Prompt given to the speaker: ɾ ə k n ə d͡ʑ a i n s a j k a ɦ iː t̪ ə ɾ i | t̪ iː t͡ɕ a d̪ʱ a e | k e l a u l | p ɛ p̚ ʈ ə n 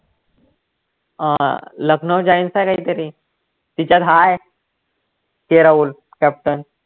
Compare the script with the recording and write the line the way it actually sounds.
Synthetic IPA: l ə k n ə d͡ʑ a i n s a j k a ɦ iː t̪ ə ɾ i | t̪ i t͡ɕ a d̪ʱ a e | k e ɾ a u l | k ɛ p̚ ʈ ə n